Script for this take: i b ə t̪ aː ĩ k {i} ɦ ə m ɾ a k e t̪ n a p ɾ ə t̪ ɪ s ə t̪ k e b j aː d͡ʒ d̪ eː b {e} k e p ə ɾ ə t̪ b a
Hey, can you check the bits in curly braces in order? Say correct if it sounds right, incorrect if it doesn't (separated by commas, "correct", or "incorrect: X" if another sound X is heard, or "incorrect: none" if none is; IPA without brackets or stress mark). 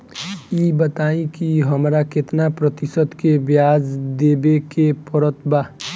correct, correct